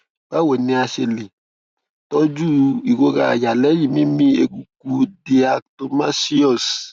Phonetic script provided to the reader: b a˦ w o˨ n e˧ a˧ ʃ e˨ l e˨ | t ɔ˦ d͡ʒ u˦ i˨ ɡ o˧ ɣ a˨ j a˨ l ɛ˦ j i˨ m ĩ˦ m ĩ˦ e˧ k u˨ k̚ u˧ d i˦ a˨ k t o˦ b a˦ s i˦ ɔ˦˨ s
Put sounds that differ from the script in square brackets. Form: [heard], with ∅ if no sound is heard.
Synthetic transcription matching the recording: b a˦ w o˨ n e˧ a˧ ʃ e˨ l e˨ | t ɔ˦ d͡ʒ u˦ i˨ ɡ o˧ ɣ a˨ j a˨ l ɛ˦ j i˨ m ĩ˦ m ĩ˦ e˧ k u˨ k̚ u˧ d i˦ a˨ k t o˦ [m] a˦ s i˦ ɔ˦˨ s